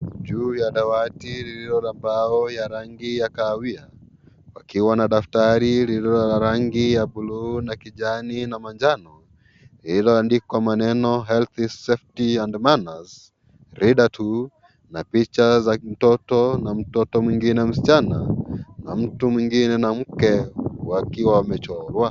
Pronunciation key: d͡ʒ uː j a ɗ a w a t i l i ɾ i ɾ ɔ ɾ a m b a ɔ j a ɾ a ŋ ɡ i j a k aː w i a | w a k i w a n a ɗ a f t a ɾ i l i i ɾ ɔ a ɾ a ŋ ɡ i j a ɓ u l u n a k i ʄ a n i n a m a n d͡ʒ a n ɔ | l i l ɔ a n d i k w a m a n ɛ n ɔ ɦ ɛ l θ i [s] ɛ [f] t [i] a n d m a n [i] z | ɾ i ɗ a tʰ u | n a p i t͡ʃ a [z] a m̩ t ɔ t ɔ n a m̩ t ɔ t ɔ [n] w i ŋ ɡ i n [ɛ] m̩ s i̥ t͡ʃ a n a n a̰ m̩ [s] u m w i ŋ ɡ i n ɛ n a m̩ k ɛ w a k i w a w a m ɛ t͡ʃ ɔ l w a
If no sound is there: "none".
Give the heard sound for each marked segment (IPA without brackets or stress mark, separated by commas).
s, f, i, a, z, m, ɛ, t